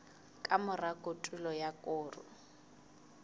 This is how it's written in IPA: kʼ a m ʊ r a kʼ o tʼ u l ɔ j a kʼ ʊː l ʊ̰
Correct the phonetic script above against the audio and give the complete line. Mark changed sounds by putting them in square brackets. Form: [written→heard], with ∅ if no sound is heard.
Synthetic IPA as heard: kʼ a m ʊ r a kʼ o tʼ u l ɔ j a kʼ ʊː [l→r] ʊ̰